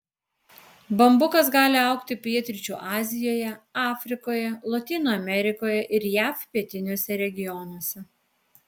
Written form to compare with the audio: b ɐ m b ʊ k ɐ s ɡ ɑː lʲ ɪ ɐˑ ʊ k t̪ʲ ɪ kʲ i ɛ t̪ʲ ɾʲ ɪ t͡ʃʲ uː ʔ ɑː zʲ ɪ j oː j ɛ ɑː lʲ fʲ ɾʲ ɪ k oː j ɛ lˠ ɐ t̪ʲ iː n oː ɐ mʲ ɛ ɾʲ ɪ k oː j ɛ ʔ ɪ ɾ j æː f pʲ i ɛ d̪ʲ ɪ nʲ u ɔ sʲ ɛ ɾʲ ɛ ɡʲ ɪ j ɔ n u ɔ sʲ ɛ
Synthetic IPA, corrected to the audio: b ɐ m b ʊ k ɐ s ɡ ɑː lʲ ɪ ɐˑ ʊ k t̪ʲ ɪ pʲ i ɛ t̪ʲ ɾʲ ɪ t͡ʃʲ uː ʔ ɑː zʲ ɪ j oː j ɛ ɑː fʲ ɾʲ ɪ k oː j ɛ lˠ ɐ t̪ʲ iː n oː ɐ mʲ ɛ ɾʲ ɪ k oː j ɛ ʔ ɪ ɾ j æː f pʲ i ɛ t̪ʲ ɪ nʲ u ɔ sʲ ɛ ɾʲ ɛ ɡʲ ɪ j ɔ n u ɔ sʲ ɛ